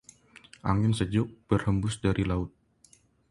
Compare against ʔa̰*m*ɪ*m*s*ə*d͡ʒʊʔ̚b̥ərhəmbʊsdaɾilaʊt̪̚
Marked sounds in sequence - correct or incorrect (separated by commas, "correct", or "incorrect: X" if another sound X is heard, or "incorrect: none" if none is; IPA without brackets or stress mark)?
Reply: incorrect: ŋ, incorrect: n, correct